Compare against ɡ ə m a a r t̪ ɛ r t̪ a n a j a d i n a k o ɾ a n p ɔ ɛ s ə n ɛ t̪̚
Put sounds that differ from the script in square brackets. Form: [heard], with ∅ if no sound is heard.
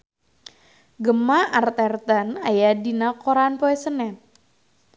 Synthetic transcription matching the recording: ɡ ə m a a r t̪ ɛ r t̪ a n a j a d i n a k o ɾ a n p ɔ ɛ s ə n ɛ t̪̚